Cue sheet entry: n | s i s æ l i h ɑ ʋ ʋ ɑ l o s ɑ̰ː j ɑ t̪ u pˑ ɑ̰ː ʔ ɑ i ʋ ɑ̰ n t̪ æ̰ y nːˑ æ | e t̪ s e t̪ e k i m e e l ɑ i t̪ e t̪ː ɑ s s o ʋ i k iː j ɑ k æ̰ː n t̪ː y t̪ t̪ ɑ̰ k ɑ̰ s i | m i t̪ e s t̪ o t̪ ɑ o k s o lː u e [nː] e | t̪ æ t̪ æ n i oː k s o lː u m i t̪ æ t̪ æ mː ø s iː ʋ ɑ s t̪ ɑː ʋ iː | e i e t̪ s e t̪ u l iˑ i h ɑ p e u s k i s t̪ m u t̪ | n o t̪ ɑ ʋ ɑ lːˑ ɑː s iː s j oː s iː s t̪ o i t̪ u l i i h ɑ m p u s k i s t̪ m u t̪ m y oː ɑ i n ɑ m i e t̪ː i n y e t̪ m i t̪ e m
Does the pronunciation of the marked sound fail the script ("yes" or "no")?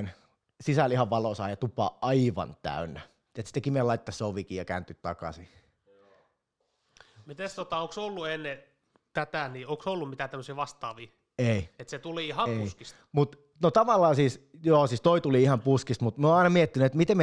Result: no